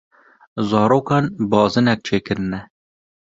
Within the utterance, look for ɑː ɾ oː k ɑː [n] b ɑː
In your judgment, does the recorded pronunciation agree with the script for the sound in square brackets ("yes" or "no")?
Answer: yes